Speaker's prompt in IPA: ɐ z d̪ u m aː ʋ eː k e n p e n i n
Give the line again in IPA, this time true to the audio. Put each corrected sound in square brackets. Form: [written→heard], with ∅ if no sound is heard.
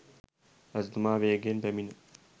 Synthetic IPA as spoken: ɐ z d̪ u m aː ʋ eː [k→ɡ] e n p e [n→m] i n